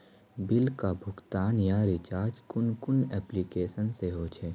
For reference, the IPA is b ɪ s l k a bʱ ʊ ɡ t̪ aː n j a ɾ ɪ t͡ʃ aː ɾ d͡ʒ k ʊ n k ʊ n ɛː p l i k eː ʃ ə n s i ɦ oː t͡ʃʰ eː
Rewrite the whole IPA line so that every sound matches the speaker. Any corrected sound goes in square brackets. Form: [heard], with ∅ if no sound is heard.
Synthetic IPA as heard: b ɪ [∅] l k a bʱ ʊ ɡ t̪ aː n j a ɾ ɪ t͡ʃ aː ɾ d͡ʒ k ʊ n k ʊ n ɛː p l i k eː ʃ ə n s [e] ɦ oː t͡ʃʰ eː